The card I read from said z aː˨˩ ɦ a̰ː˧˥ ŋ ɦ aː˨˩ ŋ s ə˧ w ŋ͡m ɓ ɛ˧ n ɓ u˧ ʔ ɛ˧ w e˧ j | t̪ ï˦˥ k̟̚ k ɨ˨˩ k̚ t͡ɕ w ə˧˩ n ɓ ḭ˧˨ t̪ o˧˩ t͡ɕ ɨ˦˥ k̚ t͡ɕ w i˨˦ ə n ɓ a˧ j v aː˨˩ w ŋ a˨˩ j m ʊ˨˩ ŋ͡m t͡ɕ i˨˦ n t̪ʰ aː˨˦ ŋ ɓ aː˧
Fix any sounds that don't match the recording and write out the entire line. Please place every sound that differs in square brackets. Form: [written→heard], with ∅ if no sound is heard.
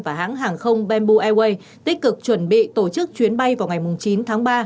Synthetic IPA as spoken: [z→v] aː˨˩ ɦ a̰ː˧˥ ŋ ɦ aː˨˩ ŋ [s→x] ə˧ w ŋ͡m ɓ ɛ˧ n ɓ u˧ ʔ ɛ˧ w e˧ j | t̪ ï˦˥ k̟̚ k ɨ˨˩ k̚ t͡ɕ w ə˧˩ n ɓ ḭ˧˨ t̪ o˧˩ t͡ɕ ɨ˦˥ k̚ t͡ɕ w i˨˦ ə n ɓ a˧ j v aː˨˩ w ŋ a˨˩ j m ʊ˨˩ ŋ͡m t͡ɕ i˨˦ n t̪ʰ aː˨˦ ŋ ɓ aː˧